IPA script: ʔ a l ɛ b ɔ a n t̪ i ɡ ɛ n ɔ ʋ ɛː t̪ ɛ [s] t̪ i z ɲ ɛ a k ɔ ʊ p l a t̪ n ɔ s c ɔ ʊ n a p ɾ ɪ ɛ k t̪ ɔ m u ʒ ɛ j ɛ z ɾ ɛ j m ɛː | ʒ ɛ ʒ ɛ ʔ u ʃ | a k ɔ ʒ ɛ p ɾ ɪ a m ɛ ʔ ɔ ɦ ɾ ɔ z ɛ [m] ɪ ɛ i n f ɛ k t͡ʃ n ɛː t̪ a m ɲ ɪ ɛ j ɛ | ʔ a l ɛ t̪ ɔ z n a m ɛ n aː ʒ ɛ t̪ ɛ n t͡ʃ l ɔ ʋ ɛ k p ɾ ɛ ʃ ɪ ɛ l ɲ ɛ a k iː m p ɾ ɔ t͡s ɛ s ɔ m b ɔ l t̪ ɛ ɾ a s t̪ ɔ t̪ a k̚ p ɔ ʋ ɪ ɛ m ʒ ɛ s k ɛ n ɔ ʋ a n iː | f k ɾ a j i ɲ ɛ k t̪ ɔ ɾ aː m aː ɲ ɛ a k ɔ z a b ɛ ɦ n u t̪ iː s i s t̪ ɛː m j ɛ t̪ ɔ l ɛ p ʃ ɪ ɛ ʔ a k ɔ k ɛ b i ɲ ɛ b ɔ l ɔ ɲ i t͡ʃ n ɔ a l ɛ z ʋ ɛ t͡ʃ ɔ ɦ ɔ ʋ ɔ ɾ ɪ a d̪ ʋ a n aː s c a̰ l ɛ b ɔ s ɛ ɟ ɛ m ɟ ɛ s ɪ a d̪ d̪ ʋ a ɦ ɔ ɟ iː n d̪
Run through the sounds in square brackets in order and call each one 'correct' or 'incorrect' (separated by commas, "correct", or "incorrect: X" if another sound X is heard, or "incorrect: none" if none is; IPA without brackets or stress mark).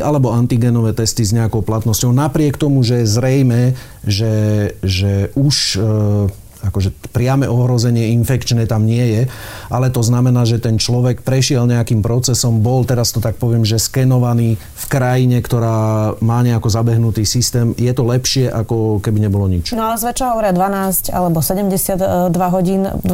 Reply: correct, incorrect: ɲ